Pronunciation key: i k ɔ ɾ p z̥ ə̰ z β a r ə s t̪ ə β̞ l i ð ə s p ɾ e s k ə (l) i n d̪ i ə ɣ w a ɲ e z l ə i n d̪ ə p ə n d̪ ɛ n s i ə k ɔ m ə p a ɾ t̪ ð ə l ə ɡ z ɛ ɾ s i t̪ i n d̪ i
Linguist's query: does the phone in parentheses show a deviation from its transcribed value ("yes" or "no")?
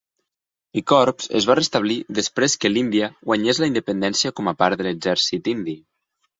no